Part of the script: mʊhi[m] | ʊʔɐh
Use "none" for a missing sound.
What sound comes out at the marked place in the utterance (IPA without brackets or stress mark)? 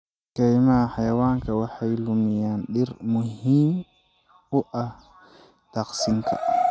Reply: m